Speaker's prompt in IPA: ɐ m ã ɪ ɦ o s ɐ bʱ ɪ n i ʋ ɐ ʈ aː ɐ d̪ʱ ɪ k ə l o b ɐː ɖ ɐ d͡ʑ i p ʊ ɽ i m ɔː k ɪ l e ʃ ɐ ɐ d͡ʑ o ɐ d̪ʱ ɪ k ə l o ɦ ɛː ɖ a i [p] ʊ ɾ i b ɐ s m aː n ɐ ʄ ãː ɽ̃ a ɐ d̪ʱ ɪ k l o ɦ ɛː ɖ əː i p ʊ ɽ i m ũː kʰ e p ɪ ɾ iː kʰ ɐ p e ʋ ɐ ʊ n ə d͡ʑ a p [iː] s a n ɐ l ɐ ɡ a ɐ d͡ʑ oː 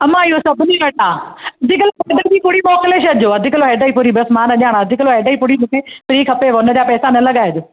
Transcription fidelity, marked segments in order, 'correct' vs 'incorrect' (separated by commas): correct, incorrect